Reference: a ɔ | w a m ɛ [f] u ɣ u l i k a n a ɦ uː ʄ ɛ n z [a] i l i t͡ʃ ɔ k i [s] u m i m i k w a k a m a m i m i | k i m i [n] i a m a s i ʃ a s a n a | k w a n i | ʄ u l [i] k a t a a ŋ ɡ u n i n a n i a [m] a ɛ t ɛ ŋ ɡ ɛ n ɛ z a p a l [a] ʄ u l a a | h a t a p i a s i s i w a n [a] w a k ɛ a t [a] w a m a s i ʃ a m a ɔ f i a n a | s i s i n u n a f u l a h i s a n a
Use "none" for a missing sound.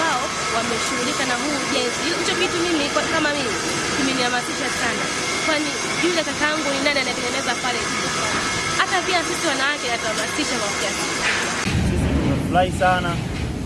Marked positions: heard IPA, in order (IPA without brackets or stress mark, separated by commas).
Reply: ʃ, i, t, n, a, n, ɛ, a, a